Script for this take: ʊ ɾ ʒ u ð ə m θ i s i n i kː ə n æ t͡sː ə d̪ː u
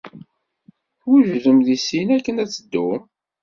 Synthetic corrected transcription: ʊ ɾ ʒ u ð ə m ð i s i n æ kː ə n æ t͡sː ə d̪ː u